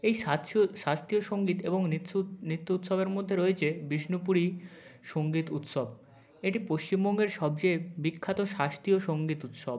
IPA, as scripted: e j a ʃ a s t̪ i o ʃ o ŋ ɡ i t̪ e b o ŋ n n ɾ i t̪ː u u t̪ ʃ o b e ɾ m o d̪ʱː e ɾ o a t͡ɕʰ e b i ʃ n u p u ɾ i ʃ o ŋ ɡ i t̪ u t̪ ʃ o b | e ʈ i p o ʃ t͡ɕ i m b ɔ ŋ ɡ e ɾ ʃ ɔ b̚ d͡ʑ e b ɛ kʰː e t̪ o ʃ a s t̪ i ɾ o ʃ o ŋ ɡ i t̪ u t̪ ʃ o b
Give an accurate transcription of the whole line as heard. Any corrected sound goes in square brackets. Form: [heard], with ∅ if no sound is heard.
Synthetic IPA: e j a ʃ a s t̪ i o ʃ o ŋ ɡ i t̪ e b o ŋ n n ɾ i t̪ː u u t̪ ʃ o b e ɾ m o d̪ʱː e ɾ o [e] t͡ɕʰ e b i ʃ n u p u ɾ i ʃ o ŋ ɡ i t̪ u t̪ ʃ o b | e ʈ i p o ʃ t͡ɕ i m b ɔ ŋ ɡ e ɾ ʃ ɔ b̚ d͡ʑ e b [i] kʰː [a] t̪ o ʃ a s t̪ i [∅] o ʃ o ŋ ɡ i t̪ u t̪ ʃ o b